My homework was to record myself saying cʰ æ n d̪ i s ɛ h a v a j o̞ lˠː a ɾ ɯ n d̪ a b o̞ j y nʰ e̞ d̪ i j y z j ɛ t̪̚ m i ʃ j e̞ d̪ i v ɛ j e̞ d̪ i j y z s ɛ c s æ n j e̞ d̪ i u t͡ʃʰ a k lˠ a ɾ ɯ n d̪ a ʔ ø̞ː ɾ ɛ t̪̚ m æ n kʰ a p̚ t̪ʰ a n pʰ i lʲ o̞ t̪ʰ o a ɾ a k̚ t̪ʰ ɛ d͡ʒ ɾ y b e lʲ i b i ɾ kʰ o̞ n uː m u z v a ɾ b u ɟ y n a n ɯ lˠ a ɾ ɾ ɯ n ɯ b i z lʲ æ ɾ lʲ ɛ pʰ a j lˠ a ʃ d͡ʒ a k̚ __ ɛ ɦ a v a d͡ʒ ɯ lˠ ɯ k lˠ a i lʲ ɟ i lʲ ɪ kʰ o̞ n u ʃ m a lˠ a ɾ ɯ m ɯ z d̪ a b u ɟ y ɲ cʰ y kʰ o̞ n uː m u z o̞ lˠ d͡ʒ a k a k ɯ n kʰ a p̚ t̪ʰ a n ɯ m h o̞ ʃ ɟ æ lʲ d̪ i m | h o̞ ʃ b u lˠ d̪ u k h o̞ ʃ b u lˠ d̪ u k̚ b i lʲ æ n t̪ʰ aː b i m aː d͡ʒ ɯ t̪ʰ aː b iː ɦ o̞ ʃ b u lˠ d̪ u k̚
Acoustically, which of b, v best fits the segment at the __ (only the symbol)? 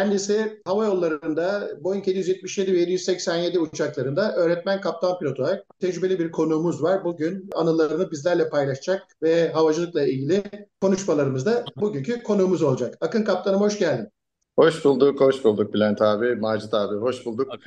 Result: v